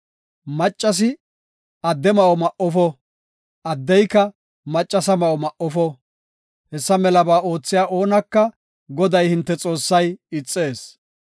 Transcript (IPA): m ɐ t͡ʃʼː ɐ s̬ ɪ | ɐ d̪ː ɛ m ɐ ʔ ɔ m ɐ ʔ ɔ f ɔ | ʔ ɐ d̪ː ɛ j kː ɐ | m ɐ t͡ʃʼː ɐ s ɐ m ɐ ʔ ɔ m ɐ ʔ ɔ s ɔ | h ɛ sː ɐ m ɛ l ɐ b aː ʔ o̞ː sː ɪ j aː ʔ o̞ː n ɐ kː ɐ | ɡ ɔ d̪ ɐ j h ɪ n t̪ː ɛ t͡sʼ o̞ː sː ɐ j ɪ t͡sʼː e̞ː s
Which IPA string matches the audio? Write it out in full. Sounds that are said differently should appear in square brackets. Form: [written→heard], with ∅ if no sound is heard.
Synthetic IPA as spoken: m ɐ t͡ʃʼː ɐ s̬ ɪ | ɐ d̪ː ɛ m ɐ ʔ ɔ m ɐ ʔ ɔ f ɔ | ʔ ɐ d̪ː ɛ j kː ɐ | m ɐ t͡ʃʼː ɐ s ɐ m ɐ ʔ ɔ m ɐ ʔ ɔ [s→f] ɔ | h ɛ sː ɐ m ɛ l ɐ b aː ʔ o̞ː [sː→t͡sː] ɪ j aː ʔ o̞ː n ɐ kː ɐ | ɡ ɔ d̪ ɐ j h ɪ n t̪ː ɛ t͡sʼ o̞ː sː ɐ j ɪ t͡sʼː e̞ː s